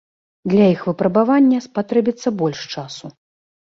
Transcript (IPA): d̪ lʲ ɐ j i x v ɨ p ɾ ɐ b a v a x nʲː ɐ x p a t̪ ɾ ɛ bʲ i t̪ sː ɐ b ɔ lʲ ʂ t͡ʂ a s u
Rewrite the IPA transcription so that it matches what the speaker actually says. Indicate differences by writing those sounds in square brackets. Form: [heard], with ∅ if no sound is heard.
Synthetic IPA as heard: d̪ lʲ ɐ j i x v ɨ p ɾ ɐ b a v a [∅] nʲː ɐ [s] p a t̪ ɾ ɛ bʲ i t̪ sː ɐ b ɔ lʲ ʂ t͡ʂ a s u